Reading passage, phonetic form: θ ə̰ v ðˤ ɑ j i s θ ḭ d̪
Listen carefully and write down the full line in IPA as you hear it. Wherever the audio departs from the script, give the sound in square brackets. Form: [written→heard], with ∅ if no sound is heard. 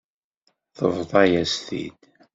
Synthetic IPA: θ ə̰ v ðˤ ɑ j [i→æ] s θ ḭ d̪

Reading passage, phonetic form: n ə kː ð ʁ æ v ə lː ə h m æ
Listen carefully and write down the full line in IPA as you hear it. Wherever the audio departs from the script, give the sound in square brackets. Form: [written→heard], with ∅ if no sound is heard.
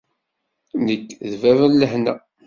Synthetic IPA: n ə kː ð [ʁ→v] æ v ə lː ə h [m→n] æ

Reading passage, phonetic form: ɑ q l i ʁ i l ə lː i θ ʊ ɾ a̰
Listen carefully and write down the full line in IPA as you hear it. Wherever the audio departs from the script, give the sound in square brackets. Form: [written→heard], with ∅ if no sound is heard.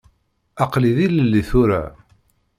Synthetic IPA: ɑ q l i [ʁ→ð] i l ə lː i θ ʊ ɾ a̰

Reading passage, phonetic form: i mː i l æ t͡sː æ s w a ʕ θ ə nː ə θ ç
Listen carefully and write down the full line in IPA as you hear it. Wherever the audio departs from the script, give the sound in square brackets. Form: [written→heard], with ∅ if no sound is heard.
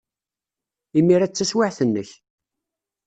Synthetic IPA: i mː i [l→ɾ] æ t͡sː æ s w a ʕ θ ə nː ə [θ→∅] ç

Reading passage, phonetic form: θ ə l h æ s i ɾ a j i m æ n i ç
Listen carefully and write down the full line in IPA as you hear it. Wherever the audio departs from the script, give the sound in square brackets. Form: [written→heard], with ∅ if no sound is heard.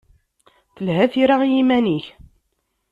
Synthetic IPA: θ ə l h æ [s→θ] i ɾ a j i m æ n i ç

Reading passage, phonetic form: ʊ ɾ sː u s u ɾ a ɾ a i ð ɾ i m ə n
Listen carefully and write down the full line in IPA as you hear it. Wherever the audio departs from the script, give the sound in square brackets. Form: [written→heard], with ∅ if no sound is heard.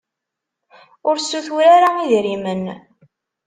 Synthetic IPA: ʊ ɾ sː u [s→θ] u ɾ a ɾ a i ð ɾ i m ə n

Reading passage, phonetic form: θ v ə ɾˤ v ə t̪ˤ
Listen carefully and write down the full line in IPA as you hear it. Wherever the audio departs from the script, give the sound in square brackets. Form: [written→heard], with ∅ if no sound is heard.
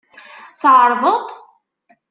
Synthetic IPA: θ [v→ʕ] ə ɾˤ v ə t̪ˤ

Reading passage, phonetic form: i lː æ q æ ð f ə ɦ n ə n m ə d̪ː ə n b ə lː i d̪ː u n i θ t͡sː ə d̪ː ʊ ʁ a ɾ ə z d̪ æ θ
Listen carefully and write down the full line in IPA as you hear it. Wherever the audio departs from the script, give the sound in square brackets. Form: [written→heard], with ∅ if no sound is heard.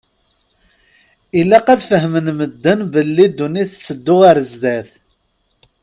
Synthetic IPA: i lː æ q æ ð f ə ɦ [n→m] ə n m ə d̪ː ə n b ə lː i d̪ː u n i θ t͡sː ə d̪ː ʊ ʁ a ɾ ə z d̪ æ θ

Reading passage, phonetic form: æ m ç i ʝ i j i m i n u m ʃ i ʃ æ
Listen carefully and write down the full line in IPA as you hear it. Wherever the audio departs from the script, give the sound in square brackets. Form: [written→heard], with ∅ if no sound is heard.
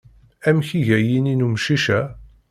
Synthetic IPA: æ m ç i ʝ [i→æ] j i [m→n] i n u m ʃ i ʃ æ

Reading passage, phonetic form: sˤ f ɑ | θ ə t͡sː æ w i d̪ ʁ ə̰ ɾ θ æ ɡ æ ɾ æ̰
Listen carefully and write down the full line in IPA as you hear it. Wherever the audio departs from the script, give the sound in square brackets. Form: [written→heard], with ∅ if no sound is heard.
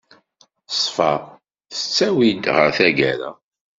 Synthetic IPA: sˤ f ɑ | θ ə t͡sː æ w i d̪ ʁ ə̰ ɾ θ æ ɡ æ ɾ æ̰

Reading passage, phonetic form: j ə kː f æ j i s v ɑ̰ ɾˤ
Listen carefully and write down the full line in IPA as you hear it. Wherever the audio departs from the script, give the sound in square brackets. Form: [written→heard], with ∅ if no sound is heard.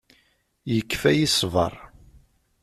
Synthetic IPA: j ə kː f æ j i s v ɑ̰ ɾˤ

